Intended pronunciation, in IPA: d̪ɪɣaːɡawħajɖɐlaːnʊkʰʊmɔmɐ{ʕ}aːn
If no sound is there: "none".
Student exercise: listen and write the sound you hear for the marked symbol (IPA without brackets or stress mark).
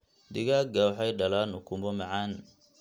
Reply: ʕ